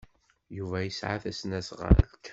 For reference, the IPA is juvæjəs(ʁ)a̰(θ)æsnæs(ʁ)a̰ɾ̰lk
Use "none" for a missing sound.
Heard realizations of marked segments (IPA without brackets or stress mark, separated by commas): ʕ, θ, ʁ